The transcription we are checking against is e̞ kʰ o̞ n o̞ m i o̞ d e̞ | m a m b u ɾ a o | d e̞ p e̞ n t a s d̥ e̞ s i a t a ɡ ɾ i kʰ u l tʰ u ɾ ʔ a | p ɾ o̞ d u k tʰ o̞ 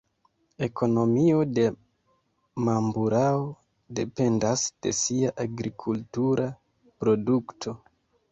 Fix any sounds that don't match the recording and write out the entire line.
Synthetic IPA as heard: e̞ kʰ o̞ n o̞ m i o̞ d e̞ | m a m b u ɾ a o | d e̞ p e̞ n d a s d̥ e̞ s i a ʔ a ɡ ɾ i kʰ u l t u ɾ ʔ a | p ɾ o̞ d u k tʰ o̞